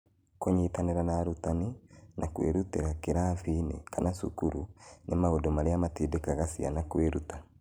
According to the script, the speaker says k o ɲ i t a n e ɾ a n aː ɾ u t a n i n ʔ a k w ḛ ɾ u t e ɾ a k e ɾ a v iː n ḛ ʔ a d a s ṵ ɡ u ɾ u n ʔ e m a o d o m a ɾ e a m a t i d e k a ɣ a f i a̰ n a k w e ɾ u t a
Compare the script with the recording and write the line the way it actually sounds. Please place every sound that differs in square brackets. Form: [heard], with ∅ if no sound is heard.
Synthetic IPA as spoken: k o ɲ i t a n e ɾ a n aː ɾ u t a n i n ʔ a k w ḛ ɾ u t e ɾ a k e ɾ a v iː n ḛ [k] a [n] a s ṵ [k] u ɾ u n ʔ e m a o d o m a ɾ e a m a t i d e k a ɣ a [s] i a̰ n a k w e ɾ u t a